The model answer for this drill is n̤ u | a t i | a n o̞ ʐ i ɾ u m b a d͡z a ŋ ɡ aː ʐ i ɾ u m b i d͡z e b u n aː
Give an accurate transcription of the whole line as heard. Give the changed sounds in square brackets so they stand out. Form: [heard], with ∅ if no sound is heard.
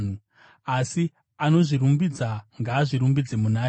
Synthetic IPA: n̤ u | a [s] i | a n o̞ ʐ i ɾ u m b [i] d͡z a ŋ ɡ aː ʐ i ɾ u m b i d͡z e [m] u n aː